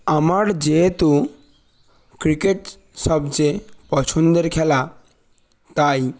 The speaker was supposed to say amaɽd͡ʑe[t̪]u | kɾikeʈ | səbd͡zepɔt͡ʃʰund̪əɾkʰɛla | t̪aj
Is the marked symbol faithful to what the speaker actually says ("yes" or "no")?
yes